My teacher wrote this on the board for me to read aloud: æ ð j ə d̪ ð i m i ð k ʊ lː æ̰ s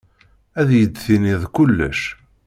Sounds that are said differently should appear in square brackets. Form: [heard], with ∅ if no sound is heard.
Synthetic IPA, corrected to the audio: æ ð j ə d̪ [θ] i [n] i ð k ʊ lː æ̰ [ʃ]